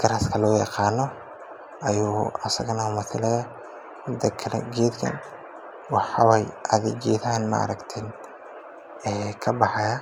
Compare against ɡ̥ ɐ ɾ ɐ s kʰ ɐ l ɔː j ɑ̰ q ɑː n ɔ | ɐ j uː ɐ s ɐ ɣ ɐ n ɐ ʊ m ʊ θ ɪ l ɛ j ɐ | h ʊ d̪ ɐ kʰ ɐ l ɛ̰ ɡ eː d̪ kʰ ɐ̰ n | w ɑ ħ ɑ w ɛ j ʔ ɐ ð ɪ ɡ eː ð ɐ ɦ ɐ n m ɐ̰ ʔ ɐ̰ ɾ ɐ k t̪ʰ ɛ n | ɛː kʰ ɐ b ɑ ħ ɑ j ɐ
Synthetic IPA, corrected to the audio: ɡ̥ ɐ ɾ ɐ s kʰ ɐ l ɔː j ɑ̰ q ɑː n ɔ | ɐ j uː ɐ s ɐ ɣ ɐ n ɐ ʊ m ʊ θ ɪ l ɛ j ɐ | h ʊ d̪ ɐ kʰ ɐ l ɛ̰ ɡ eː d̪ kʰ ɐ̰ n | w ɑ ħ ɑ w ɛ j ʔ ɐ ð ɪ ɡ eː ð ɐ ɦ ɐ n m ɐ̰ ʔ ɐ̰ ɾ ɐ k t̪ʰ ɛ n | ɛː kʰ ɐ b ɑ ħ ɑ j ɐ